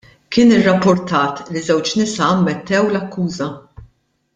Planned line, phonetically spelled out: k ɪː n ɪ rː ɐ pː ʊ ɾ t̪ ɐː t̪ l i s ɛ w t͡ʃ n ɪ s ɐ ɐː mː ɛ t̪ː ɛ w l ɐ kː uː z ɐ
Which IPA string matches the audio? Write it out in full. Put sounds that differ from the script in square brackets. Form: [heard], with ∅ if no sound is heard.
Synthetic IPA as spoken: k ɪː n ɪ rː ɐ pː ʊ ɾ t̪ ɐː t̪ l i [z] ɛ w t͡ʃ n ɪ s ɐ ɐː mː ɛ t̪ː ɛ w l ɐ kː uː z ɐ